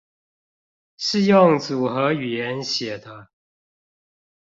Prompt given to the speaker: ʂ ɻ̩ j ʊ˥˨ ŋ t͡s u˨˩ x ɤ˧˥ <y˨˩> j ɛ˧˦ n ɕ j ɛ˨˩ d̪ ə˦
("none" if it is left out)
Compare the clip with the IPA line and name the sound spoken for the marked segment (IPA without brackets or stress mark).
y˨˩